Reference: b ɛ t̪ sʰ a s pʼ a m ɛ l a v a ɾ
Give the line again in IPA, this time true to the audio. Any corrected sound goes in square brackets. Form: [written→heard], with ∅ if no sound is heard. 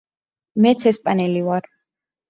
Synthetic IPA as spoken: [b→m] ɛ t̪ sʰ [a→ɛ] s pʼ a [m→n] ɛ l [a→i] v a ɾ